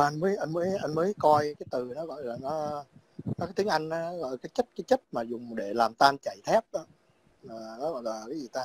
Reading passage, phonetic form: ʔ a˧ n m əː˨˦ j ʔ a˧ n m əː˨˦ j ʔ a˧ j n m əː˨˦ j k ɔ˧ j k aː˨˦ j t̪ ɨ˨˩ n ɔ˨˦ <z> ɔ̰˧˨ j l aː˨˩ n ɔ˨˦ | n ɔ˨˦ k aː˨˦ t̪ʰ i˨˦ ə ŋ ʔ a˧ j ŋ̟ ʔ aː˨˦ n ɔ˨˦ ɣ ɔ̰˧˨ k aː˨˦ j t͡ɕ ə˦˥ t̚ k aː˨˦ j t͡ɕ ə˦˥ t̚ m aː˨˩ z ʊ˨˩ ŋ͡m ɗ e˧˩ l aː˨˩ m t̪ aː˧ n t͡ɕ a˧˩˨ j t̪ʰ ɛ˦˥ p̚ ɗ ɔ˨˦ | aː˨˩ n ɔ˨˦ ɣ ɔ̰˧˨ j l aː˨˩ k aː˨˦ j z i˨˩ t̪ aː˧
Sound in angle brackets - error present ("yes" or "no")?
yes